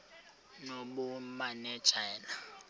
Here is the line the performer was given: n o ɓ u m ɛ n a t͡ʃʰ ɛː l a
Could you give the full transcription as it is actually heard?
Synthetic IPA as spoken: n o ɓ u m a n ɛ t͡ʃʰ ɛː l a